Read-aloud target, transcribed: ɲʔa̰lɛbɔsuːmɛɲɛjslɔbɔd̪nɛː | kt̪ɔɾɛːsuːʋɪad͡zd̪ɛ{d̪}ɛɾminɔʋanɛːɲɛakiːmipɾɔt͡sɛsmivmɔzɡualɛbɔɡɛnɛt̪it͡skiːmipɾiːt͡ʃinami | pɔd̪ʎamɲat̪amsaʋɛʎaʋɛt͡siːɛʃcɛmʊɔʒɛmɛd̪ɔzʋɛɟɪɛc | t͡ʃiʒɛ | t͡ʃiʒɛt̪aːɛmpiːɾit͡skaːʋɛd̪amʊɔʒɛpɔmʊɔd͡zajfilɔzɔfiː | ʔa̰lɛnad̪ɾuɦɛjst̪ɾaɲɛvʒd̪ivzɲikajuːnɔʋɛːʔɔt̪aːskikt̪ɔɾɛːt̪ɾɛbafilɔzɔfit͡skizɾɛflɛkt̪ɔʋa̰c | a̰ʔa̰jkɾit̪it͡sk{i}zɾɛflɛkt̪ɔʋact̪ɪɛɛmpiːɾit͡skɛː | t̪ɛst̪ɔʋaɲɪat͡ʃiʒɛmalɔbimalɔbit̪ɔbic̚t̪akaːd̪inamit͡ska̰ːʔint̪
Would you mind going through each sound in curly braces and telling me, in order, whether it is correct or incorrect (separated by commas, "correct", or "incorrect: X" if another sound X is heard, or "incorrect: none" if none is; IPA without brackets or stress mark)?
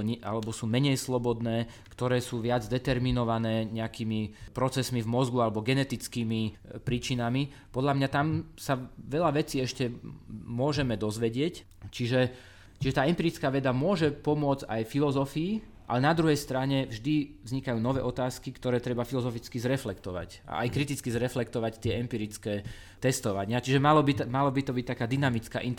incorrect: t̪, correct